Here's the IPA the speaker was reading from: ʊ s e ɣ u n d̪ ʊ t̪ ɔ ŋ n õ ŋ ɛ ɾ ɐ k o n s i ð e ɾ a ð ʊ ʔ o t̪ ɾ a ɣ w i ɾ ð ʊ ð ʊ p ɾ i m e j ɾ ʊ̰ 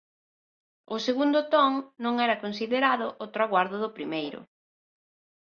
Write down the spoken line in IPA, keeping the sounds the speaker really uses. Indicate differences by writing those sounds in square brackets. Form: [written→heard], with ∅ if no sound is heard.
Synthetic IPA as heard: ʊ s e ɣ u n d̪ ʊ t̪ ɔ ŋ n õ ŋ ɛ ɾ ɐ k o n s i ð e ɾ a ð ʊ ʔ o t̪ ɾ a ɣ w [i→a] ɾ ð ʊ ð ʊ p ɾ i m e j ɾ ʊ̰